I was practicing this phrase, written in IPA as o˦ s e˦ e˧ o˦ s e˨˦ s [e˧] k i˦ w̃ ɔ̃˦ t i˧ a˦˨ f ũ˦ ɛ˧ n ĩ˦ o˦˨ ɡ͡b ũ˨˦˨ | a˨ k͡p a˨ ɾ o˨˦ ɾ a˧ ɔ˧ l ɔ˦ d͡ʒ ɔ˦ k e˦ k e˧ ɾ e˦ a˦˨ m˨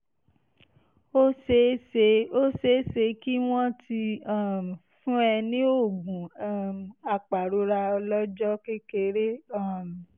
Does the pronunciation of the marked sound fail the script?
no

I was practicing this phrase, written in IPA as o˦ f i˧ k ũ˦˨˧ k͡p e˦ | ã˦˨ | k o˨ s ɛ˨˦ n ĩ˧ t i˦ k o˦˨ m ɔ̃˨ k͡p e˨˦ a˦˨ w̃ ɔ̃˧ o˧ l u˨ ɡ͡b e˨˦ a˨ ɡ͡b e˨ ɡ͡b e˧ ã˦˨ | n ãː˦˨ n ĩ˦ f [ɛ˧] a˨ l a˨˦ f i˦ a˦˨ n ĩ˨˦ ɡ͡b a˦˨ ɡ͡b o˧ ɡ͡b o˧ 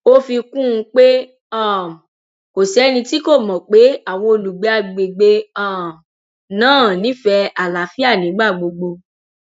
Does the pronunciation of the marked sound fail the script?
no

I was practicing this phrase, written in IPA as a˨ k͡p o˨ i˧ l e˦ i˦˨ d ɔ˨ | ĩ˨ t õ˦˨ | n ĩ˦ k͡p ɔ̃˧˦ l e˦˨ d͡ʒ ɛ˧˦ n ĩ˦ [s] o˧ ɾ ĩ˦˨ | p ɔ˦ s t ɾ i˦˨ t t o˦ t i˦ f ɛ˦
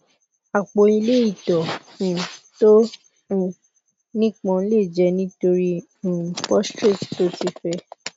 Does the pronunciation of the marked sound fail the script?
yes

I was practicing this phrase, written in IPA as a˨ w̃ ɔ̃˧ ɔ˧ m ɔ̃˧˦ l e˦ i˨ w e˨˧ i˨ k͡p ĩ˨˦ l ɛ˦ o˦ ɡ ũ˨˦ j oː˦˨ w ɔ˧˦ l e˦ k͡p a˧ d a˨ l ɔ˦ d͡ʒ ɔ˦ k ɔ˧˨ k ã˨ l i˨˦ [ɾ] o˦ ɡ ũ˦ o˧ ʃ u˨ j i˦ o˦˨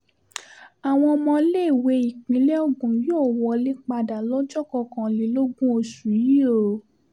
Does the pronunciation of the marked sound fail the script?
yes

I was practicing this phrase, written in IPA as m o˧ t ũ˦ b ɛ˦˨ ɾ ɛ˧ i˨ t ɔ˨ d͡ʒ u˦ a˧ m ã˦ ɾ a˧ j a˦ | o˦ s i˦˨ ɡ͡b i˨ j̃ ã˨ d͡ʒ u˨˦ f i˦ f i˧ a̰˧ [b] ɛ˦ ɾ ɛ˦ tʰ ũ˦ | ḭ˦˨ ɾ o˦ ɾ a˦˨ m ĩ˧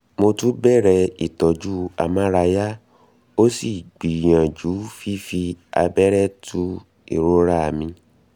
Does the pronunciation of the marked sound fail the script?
no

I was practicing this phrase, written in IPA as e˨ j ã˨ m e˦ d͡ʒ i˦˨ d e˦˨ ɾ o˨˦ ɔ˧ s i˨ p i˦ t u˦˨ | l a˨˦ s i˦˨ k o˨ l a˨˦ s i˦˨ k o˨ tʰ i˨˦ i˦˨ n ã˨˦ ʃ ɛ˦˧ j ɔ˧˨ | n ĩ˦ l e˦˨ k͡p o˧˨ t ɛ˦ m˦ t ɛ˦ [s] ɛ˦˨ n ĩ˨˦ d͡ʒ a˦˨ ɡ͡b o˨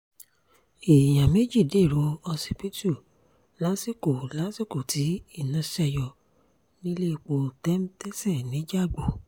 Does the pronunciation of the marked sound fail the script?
no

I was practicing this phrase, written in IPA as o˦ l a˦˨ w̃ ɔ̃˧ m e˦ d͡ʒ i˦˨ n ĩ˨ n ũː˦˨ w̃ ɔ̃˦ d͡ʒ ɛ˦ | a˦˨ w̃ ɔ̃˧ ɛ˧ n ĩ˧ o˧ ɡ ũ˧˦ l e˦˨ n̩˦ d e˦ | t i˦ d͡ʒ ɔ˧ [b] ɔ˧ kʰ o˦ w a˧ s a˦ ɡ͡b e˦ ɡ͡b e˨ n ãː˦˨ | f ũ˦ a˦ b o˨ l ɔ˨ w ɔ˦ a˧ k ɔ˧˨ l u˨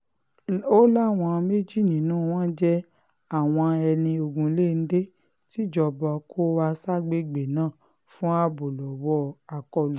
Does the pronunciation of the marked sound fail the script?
no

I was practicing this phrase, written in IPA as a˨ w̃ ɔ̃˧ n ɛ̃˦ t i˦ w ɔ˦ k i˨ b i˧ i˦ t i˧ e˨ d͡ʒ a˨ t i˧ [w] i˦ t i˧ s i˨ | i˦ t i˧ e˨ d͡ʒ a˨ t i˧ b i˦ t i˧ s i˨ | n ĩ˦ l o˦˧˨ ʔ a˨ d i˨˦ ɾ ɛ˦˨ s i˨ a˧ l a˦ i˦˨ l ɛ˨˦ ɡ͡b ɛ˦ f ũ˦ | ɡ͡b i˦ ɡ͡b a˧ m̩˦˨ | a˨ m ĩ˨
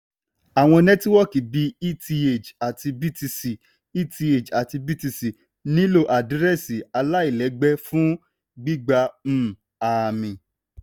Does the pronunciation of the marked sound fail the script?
yes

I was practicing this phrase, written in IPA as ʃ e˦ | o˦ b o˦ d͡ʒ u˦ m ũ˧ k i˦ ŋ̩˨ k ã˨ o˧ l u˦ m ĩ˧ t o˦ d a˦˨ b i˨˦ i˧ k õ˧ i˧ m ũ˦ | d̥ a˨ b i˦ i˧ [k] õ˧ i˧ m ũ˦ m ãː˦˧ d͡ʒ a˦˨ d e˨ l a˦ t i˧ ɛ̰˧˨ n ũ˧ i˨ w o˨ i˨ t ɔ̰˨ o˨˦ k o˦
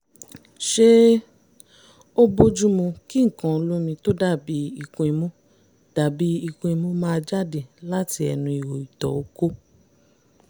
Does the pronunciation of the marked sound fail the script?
no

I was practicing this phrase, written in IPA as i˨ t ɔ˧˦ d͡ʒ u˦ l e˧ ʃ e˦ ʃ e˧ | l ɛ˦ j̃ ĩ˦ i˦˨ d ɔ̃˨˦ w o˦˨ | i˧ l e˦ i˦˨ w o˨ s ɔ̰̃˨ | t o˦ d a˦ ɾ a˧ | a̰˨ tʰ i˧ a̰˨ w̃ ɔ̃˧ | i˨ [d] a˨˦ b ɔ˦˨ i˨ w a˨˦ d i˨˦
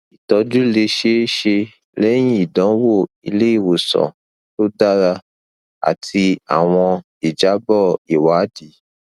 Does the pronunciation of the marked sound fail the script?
yes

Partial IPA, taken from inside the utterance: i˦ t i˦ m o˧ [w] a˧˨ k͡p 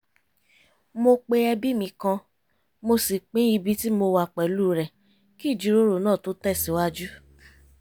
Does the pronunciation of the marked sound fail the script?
no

